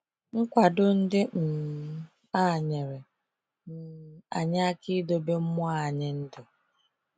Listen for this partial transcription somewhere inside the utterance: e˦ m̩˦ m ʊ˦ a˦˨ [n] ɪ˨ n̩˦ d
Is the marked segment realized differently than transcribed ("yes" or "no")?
yes